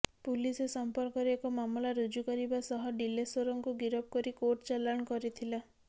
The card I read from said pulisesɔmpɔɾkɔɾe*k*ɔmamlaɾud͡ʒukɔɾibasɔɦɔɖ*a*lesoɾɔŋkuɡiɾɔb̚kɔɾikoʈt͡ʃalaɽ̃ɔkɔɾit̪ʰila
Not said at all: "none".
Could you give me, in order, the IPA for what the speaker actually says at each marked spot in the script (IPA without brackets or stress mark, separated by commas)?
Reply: k, i